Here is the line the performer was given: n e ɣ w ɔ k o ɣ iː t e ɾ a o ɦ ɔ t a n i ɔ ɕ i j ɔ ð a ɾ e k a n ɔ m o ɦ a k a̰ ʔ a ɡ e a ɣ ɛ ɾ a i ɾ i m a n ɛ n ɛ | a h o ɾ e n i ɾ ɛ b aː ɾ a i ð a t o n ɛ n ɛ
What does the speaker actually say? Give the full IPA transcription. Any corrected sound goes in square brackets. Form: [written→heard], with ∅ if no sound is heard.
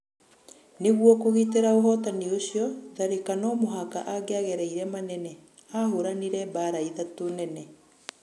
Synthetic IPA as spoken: n e ɣ w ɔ k o ɣ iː t e ɾ a o ɦ ɔ t a n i [ɔ→o] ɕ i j ɔ ð a ɾ e k a n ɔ m o ɦ a k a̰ ʔ a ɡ e a ɣ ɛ ɾ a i ɾ [i→ɛ] m a n ɛ n ɛ | a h o ɾ [e→a] n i ɾ ɛ b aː ɾ a i ð a t o n ɛ n ɛ